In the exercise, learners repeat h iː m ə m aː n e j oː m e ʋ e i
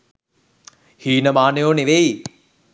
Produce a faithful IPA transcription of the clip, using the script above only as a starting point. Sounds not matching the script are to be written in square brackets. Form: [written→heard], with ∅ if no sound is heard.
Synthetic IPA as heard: h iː [m→n] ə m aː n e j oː [m→n] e ʋ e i